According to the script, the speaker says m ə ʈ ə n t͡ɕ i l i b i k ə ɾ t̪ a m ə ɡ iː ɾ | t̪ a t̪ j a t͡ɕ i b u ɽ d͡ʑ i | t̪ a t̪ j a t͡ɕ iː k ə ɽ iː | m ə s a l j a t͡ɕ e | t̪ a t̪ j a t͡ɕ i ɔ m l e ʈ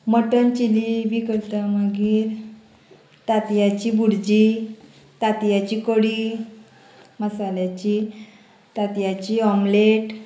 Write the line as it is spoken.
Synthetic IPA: m ə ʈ ə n t͡ɕ i l i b i k ə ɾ t̪ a m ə ɡ iː ɾ | t̪ a t̪ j a t͡ɕ i b u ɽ d͡ʑ i | t̪ a t̪ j a t͡ɕ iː k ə ɽ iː | m ə s a l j a t͡ɕ i | t̪ a t̪ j a t͡ɕ i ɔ m l e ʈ